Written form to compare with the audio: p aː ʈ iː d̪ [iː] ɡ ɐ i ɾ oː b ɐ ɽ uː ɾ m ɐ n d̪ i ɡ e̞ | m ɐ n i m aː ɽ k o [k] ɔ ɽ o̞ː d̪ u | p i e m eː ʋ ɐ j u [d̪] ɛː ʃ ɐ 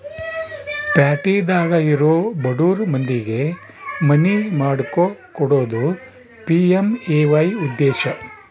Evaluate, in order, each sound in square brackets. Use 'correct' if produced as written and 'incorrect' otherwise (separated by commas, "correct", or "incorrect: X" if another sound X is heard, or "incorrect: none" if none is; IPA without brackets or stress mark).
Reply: incorrect: aː, correct, incorrect: d̪ː